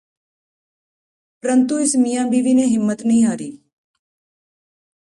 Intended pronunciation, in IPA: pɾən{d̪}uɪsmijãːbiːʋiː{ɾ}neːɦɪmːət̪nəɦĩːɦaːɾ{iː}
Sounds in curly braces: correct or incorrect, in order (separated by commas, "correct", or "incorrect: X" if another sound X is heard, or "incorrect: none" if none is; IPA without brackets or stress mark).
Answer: incorrect: t̪, incorrect: none, correct